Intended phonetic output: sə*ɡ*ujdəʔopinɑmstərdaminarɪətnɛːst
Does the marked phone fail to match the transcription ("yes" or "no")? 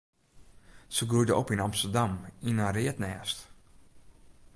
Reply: no